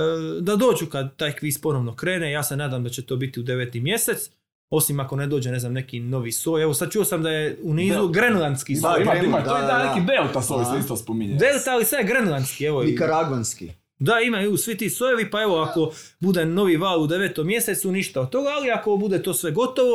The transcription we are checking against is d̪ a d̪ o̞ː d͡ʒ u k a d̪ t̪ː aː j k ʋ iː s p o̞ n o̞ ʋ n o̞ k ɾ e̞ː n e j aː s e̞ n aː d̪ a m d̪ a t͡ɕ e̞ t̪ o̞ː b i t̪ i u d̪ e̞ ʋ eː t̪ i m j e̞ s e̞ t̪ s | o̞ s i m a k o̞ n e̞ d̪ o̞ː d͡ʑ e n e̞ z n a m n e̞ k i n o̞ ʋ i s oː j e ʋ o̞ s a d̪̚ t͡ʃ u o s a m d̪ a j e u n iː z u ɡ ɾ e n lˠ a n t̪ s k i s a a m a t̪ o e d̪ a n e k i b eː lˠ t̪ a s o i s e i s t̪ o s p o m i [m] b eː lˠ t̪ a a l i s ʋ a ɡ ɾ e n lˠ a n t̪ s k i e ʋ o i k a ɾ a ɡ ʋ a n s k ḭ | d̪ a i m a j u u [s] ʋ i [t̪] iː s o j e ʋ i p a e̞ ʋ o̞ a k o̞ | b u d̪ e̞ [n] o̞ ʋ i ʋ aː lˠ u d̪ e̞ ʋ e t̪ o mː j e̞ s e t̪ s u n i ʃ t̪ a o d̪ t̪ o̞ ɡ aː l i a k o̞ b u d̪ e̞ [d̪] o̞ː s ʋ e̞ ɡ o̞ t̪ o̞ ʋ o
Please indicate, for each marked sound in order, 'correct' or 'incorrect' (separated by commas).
incorrect, correct, correct, correct, incorrect